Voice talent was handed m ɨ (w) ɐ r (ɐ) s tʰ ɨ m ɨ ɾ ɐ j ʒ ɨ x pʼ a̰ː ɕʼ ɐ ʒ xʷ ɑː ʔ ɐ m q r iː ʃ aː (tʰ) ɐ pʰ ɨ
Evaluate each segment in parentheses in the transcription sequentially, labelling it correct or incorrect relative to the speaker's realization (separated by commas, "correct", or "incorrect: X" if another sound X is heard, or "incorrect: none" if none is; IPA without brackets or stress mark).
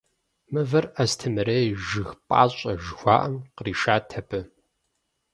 incorrect: v, correct, correct